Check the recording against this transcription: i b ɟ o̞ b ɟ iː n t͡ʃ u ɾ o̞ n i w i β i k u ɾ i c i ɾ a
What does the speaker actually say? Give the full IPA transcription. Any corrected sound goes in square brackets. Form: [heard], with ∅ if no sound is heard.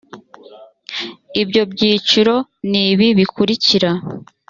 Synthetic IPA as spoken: i b ɟ o̞ b ɟ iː [∅] t͡ʃ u ɾ o̞ n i [β] i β i k u ɾ i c i ɾ a